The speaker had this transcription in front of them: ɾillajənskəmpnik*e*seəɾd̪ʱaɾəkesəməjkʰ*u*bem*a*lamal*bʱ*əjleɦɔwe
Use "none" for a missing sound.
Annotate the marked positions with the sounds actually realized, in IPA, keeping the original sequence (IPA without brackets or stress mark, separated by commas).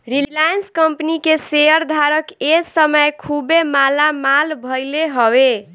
e, u, a, bʱ